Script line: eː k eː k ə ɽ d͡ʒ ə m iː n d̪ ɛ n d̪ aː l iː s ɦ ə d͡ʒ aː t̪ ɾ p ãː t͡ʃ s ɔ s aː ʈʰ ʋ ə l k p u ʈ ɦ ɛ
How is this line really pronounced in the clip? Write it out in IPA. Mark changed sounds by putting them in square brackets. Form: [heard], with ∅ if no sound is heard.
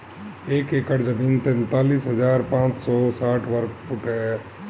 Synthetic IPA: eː k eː k ə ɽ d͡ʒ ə m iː n [t̪] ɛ n [t̪] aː l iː s ɦ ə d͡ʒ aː [∅] ɾ p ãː t͡ʃ s ɔ s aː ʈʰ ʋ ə [ɾ] k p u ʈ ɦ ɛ